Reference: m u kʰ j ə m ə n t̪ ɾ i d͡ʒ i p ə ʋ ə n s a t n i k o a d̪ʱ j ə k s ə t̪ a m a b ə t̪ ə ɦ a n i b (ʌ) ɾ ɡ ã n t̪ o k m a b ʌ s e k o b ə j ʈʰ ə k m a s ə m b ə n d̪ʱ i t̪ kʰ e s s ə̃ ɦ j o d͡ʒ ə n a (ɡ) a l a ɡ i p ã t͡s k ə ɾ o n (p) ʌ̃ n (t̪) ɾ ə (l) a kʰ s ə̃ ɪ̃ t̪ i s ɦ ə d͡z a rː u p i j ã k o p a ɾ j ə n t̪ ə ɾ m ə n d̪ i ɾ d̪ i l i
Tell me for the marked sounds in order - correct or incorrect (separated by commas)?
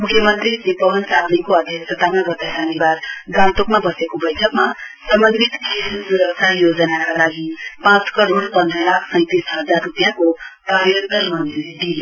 incorrect, incorrect, correct, incorrect, correct